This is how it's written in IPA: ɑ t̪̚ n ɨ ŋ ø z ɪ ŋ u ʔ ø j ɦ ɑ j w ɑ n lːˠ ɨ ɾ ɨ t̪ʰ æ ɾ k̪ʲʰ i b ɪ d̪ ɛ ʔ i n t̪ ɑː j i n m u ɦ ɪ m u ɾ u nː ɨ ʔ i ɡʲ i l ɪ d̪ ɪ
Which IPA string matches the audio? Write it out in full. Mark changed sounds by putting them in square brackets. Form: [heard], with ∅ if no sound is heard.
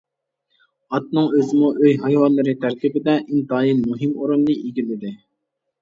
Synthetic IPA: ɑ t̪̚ n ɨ ŋ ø z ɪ [m] u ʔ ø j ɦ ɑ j w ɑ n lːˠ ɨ ɾ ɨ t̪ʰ æ ɾ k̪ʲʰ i b ɪ d̪ ɛ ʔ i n t̪ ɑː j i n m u ɦ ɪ m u ɾ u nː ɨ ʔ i ɡʲ i l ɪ d̪ ɪ